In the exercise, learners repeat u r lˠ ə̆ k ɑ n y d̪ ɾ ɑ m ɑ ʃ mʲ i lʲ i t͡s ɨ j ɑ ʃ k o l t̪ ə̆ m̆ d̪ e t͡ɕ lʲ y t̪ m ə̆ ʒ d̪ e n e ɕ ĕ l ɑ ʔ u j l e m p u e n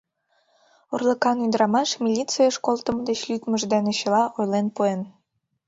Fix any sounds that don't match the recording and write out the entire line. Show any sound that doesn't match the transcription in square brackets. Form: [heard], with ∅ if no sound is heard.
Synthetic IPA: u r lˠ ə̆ k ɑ n y d̪ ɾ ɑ m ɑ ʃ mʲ i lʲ i t͡s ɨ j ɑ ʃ k o l t̪ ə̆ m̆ d̪ e t͡ɕ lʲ y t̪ m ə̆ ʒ d̪ e n e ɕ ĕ l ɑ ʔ [o] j l e [n] p u e n